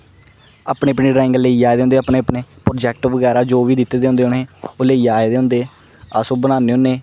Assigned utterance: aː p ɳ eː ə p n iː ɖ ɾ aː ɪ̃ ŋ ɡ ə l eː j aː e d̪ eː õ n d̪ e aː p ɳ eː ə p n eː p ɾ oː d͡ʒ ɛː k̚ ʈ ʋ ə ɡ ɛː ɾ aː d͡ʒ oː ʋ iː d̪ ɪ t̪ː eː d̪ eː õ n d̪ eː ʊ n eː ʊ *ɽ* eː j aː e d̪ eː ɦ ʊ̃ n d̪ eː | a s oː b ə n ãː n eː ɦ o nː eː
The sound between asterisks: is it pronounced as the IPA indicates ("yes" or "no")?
no